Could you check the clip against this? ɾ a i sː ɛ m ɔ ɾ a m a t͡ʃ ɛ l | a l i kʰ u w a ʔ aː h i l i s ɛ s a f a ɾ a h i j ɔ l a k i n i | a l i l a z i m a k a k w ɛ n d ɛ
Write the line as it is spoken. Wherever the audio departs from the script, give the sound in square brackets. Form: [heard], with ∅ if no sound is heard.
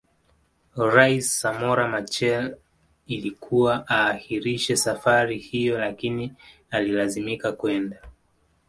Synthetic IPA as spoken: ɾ a i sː [a] m ɔ ɾ a m a t͡ʃ ɛ l | [i] l i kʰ u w a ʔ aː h i [ɾ] i [ʃ] ɛ s a f a ɾ [i] h i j ɔ l a k i n i | a l i l a z i m [i] k a k w ɛ n d [a]

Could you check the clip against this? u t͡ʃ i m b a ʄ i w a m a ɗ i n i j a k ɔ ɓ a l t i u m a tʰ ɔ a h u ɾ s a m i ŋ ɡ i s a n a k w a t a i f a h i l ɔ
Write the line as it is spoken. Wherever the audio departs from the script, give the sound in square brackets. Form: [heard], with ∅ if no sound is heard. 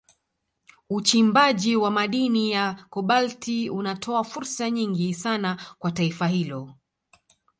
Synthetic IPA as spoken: u t͡ʃ i m b a ʄ i w a m a ɗ i n i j a k ɔ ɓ a l t i u [n] a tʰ ɔ a [f] u ɾ s a [ɲ] i ŋ ɡ i s a n a k w a t a i f a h i l ɔ

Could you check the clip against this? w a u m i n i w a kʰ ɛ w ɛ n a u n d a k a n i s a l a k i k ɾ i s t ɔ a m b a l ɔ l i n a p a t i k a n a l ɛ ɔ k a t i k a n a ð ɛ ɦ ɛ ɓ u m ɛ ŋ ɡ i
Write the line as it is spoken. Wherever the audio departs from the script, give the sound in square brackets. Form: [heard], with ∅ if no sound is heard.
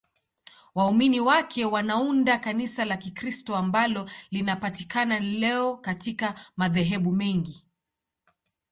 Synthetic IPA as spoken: w a u m i n i w a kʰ ɛ w [a] n a u n d a k a n i s a l a k i k ɾ i s t ɔ a m b a l ɔ l i n a p a t i k a n a l ɛ ɔ k a t i k a [m] a ð ɛ ɦ ɛ ɓ u m ɛ ŋ ɡ i

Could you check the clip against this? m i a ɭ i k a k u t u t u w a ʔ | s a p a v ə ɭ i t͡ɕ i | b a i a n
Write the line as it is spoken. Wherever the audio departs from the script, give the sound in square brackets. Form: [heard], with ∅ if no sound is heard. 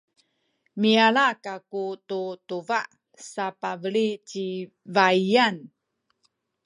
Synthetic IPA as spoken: m i a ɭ [a] k a k u t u t u [v] a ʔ | s a p a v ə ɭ i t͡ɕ i | [v] a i a n

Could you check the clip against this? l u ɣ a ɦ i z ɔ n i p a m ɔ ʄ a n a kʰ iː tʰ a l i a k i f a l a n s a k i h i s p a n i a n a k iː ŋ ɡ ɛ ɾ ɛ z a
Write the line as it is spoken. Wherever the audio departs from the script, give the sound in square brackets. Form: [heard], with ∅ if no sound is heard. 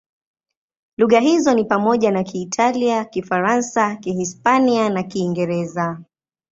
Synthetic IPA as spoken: l u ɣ a ɦ i z ɔ n i p a m ɔ ʄ a n a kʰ iː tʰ a l i a k i f a [ɾ] a n s a k i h i s p a n i a n a k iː ŋ ɡ ɛ ɾ ɛ z a

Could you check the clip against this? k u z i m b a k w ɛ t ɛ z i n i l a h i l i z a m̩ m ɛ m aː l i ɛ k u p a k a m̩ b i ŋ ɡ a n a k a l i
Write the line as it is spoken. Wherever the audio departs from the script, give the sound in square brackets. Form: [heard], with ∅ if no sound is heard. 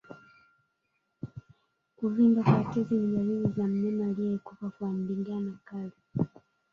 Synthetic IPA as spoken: k u [v] i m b a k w [a] t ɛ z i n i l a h i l i z a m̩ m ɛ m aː l i ɛ k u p a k a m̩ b i ŋ ɡ a n a k a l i

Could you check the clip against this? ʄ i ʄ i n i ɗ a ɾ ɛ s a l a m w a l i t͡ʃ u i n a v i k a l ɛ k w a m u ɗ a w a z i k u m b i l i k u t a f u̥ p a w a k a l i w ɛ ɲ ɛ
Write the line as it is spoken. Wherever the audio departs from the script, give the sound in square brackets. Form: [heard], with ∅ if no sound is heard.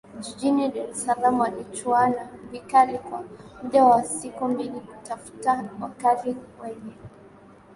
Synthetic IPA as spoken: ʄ i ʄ i n i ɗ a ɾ ɛ s a l a m w a l i t͡ʃ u [a] n a v i k a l [i] k w a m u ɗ a w a [s] i k u m b i l i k u t a f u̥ [t] a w a k a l i w ɛ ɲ ɛ

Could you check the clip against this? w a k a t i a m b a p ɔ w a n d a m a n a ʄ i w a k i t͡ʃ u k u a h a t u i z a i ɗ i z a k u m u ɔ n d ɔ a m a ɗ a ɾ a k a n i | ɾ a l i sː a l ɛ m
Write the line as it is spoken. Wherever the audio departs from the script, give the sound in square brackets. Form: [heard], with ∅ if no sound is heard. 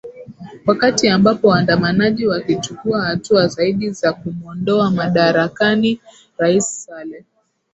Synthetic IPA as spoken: w a k a t i a m b a p ɔ w a n d a m a n a ʄ i w a k i t͡ʃ u k u a h a t u [a] z a i ɗ i z a k u m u ɔ n d ɔ a m a ɗ a ɾ a k a n i | ɾ a [∅] i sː a l ɛ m

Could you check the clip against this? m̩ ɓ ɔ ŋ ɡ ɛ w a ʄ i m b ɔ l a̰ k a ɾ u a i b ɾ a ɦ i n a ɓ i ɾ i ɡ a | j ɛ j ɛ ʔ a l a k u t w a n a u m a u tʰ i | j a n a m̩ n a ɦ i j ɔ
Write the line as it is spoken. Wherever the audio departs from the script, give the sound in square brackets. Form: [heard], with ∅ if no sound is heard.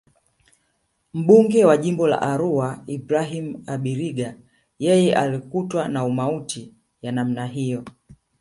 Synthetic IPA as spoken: m̩ ɓ [u] ŋ ɡ ɛ w a ʄ i m b ɔ l a̰ [ʔ] a ɾ u a i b ɾ a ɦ i [m] a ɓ i ɾ i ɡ a | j ɛ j ɛ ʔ a l [i] k u t w a n a u m a u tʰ i | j a n a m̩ n a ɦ i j ɔ

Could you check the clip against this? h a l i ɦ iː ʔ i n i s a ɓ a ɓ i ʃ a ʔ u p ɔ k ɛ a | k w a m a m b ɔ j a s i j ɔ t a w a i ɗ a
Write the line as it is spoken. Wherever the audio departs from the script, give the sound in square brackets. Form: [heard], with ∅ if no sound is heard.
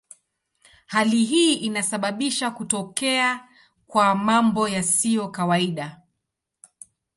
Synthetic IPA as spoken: h a l i ɦ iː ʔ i n [a] s a ɓ a ɓ i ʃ a [k] u [t] ɔ k ɛ a | k w a m a m b ɔ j a s i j ɔ [k] a w a i ɗ a

